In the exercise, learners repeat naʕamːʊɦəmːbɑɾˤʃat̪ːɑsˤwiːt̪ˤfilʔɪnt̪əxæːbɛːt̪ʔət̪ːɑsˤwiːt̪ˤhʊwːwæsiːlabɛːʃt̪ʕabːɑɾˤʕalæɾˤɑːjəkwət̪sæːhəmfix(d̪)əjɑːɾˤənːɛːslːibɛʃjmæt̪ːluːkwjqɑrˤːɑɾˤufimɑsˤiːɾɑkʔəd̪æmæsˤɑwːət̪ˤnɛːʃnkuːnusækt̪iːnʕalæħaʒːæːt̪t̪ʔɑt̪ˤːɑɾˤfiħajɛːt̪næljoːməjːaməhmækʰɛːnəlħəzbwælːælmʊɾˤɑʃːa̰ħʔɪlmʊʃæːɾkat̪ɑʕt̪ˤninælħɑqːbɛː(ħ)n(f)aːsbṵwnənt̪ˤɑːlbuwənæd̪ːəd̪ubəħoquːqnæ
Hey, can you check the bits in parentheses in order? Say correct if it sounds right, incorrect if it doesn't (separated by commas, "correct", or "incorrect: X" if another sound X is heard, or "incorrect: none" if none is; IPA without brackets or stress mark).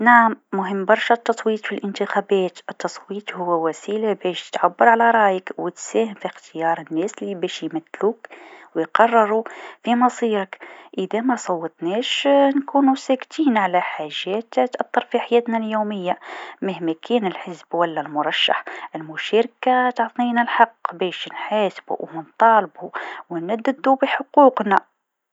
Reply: incorrect: t̪, incorrect: ʃ, incorrect: ħ